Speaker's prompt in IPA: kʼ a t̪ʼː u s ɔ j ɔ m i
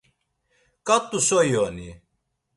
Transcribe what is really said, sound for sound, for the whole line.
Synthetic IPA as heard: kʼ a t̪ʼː u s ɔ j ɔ n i